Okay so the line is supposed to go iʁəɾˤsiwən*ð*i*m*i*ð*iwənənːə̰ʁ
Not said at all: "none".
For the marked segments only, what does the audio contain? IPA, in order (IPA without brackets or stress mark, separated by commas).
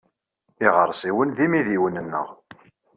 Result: ð, m, ð